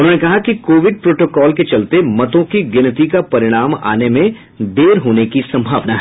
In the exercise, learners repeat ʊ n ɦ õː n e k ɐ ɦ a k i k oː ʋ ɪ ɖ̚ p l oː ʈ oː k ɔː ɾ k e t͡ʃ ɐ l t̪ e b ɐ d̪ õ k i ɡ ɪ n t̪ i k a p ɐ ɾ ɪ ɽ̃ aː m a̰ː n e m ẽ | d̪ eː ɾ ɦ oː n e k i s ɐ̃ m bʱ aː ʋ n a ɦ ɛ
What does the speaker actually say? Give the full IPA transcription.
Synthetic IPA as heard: ʊ n ɦ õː n e k ɐ ɦ a k i k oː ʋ ɪ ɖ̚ p ɾ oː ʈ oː k ɔː l k e t͡ʃ ɐ l t̪ e m ɐ t̪ õ k i ɡ ɪ n t̪ i k a p ɐ ɾ ɪ ɽ̃ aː m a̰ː n e m ẽ | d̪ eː ɾ ɦ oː n e k i s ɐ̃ m bʱ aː ʋ n a ɦ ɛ